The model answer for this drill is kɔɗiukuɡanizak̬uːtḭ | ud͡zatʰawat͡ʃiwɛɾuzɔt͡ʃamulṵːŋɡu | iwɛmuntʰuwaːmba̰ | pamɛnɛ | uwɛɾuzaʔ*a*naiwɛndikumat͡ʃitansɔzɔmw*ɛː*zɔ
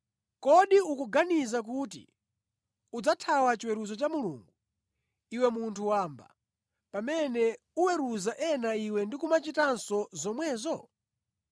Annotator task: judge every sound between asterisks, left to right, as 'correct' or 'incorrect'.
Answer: incorrect: ɛ, correct

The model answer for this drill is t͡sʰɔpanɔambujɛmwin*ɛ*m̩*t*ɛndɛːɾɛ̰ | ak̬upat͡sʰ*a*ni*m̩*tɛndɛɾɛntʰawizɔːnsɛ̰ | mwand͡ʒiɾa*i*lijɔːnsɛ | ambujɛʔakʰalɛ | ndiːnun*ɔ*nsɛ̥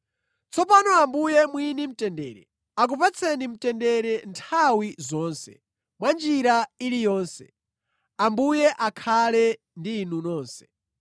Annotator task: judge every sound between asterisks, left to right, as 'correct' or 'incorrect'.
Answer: incorrect: i, correct, incorrect: ɛ, correct, correct, incorrect: ɔː

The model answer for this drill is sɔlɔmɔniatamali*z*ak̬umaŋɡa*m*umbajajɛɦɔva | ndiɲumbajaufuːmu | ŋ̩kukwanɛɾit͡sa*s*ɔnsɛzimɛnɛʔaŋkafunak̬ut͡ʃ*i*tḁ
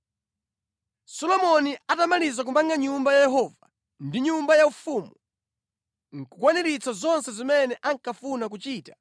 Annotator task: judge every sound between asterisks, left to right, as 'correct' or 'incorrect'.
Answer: correct, incorrect: ɲ, incorrect: z, incorrect: iː

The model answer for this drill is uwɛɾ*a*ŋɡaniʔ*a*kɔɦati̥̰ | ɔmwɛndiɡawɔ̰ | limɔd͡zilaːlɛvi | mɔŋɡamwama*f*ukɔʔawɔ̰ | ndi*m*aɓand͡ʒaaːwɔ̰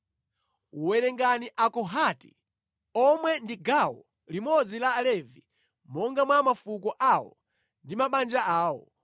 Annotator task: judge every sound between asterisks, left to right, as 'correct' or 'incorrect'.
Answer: incorrect: ɛ, correct, correct, correct

